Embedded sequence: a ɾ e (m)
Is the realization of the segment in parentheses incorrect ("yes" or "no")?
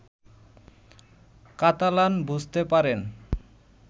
yes